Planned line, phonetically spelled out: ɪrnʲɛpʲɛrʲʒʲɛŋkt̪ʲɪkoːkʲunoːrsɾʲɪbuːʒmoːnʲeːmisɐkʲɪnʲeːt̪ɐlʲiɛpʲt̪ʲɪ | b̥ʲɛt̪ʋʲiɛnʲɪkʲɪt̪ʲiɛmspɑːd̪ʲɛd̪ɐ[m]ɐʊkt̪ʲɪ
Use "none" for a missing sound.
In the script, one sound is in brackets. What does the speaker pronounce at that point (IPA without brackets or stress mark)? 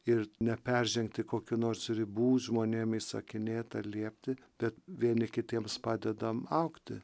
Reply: m